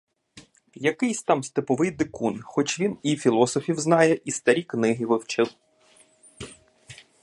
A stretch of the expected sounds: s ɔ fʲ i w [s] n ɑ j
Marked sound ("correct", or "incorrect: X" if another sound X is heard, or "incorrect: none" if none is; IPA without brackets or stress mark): incorrect: z